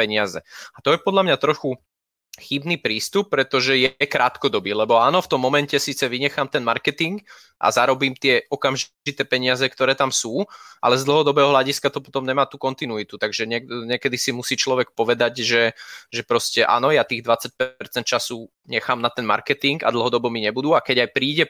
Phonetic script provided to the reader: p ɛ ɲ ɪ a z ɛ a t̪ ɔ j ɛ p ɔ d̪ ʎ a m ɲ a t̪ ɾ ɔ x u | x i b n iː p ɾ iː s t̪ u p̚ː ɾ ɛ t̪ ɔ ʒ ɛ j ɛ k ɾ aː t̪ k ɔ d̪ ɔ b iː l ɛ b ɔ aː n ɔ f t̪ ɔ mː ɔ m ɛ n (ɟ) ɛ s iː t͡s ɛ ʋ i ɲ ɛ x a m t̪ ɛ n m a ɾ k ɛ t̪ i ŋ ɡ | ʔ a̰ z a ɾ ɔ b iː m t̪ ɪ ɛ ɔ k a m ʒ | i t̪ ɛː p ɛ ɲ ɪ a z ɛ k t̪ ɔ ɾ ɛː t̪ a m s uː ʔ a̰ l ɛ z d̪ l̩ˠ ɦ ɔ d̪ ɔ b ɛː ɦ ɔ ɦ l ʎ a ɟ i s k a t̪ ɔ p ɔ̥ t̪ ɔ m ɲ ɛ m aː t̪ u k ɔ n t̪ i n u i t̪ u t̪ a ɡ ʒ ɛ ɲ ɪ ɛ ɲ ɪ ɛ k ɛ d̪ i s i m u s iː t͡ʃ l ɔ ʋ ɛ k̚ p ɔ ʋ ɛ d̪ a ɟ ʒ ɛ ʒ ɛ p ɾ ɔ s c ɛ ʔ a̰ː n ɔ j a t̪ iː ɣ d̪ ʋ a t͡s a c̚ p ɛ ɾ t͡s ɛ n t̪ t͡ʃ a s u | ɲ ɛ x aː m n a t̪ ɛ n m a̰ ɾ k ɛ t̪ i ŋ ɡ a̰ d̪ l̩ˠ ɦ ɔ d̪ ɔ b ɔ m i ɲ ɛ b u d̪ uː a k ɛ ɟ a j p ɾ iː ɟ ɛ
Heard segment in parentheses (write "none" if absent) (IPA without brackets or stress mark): c